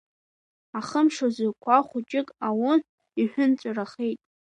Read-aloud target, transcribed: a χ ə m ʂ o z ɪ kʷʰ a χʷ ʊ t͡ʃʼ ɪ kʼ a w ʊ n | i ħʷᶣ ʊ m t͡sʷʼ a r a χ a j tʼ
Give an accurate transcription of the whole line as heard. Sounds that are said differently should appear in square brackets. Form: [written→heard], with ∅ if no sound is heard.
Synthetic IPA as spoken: a χ ə m ʂ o z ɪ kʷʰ a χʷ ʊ t͡ʃʼ ɪ kʼ a w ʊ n | i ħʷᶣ ʊ [m→n] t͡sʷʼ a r a χ [a→e] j tʼ